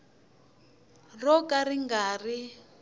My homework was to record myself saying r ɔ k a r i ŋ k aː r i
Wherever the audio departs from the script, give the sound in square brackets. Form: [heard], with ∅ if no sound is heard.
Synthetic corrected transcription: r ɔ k a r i ŋ [ɡ] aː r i